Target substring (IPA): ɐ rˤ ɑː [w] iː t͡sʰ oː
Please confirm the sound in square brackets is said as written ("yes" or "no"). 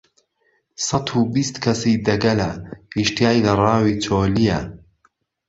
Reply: yes